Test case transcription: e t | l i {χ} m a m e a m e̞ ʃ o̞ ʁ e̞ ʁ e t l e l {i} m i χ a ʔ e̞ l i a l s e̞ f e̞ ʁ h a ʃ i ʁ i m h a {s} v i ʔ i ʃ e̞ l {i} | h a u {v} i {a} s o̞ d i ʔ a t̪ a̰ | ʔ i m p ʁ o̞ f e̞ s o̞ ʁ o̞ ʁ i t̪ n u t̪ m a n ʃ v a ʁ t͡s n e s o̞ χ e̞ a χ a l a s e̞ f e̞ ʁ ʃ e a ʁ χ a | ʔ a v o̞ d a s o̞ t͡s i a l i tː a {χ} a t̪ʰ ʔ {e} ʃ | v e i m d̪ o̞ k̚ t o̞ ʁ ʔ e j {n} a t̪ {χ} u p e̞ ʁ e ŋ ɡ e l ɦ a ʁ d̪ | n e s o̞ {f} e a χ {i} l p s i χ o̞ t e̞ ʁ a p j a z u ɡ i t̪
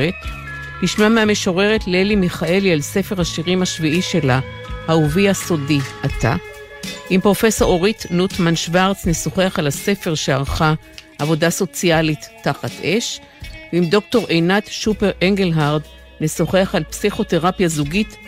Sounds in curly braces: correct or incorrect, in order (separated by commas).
incorrect, correct, incorrect, incorrect, correct, correct, correct, correct, correct, incorrect, incorrect, incorrect